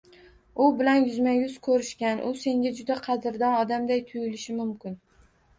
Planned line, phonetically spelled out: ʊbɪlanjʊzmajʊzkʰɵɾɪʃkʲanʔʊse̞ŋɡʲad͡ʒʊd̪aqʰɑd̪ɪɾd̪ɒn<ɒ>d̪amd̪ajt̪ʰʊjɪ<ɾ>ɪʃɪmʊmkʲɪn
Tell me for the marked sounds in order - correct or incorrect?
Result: correct, incorrect: l

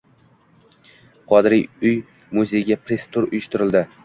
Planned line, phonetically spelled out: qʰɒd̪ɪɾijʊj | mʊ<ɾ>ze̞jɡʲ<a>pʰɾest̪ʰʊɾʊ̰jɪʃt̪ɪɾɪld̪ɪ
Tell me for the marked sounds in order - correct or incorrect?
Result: incorrect: none, correct

